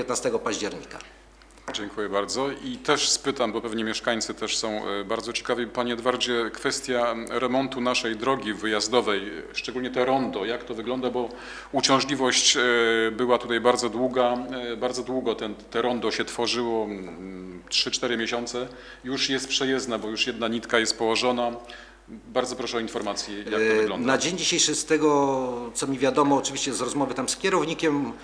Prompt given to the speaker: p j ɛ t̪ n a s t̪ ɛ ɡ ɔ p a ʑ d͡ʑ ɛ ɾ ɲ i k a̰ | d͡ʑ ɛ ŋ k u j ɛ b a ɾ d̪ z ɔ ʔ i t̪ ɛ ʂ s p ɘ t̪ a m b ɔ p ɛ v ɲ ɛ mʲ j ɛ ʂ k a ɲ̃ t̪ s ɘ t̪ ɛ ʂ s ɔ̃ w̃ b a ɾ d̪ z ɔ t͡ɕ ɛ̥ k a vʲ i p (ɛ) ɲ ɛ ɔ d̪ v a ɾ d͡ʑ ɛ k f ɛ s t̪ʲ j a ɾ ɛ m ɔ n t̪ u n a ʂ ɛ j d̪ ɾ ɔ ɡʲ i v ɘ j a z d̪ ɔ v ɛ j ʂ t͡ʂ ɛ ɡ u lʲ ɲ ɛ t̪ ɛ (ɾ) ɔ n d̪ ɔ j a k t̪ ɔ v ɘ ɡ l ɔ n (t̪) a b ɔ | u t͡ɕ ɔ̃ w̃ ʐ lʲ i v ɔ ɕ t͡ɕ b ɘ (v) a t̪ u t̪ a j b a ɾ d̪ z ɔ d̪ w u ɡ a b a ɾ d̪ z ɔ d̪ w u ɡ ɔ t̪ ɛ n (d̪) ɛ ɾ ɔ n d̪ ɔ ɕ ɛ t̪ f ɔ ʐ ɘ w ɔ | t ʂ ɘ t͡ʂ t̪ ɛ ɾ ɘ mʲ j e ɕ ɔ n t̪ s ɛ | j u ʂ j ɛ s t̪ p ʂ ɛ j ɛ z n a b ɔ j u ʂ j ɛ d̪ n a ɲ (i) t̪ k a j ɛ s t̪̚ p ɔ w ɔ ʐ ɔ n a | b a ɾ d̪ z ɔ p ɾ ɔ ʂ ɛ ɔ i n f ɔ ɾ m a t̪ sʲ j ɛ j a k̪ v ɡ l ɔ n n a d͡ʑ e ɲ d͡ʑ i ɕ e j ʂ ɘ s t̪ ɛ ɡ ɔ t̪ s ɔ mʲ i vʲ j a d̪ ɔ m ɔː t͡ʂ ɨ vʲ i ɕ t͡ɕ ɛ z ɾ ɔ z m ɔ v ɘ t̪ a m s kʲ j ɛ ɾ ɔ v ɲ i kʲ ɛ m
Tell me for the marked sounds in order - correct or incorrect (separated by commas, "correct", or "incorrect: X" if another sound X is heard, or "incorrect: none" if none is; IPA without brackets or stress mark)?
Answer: incorrect: a, correct, incorrect: d̪, incorrect: w, incorrect: t̪, correct